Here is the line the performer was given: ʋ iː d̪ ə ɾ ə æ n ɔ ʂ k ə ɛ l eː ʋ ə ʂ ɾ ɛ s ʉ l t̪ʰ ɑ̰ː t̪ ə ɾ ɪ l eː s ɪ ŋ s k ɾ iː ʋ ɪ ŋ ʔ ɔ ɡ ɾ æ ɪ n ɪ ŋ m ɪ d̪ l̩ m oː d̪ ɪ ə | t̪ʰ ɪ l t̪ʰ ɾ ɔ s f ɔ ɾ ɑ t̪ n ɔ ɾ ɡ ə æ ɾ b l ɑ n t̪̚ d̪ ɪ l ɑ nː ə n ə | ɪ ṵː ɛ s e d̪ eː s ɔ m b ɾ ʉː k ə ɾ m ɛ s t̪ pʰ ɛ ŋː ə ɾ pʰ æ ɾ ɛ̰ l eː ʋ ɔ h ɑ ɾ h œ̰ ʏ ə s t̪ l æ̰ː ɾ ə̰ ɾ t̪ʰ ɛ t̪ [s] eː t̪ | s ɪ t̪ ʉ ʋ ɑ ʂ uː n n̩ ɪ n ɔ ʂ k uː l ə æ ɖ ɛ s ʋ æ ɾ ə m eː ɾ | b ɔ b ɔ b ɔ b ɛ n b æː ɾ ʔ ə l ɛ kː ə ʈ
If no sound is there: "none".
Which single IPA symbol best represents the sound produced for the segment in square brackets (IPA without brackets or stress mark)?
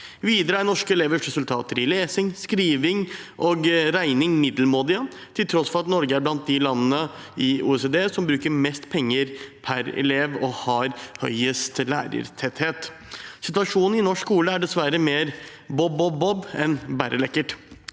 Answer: h